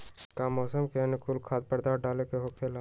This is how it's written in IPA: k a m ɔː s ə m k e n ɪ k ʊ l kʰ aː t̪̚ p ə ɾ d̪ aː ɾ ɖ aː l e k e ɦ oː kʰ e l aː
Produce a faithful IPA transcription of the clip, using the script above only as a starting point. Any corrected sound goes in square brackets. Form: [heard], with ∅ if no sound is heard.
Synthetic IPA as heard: k a m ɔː s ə m k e n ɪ k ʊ l kʰ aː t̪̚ p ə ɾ d̪ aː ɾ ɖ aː l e k e ɦ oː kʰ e l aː